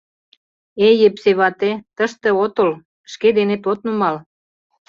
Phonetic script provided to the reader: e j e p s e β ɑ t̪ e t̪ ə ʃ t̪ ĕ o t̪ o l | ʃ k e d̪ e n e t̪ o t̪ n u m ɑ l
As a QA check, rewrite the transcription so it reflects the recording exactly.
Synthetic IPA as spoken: e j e p s e β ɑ t̪ e t̪ ə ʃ t̪ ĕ o t̪ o l | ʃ k e d̪ e n e t̪ o t̪ n u m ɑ l